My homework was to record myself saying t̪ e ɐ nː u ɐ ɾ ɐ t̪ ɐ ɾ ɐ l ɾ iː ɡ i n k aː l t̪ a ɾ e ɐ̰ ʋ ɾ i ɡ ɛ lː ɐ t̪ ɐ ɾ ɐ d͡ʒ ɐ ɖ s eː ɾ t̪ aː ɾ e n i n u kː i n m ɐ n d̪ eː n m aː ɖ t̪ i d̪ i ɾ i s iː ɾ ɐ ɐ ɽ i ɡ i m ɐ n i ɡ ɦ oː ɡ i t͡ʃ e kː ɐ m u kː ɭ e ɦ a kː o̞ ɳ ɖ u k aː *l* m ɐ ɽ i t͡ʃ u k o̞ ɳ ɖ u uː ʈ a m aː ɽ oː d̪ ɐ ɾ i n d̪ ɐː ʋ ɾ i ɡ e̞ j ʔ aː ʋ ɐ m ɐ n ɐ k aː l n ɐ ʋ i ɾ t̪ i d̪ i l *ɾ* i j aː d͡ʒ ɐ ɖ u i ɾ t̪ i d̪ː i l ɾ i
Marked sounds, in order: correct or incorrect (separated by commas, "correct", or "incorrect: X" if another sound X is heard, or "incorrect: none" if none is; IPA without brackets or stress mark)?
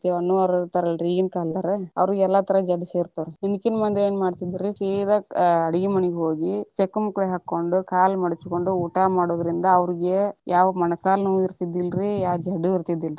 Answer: correct, correct